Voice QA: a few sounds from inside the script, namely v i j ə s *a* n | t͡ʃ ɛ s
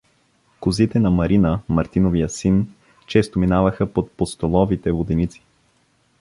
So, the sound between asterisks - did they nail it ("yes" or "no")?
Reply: no